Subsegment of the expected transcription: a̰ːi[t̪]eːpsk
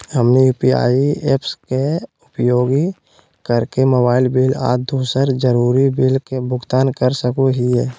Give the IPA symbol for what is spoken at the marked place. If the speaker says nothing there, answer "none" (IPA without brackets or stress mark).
none